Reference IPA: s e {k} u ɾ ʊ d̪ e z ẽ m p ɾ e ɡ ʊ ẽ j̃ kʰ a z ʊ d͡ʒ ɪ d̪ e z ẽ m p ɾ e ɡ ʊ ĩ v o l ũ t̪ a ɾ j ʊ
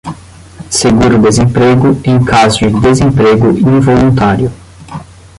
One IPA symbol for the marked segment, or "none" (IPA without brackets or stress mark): ɡ